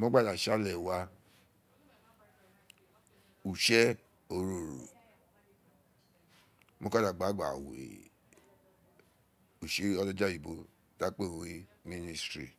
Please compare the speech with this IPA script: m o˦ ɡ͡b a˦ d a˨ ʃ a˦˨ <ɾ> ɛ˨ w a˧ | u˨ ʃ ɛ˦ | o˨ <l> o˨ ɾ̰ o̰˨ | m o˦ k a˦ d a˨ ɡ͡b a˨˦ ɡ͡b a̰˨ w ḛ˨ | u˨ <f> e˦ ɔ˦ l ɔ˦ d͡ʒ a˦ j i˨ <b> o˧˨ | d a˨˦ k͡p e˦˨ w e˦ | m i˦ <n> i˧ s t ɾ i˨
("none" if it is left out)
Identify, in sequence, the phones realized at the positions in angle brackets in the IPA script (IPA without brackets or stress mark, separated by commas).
l, ɾ, ʃ, b, n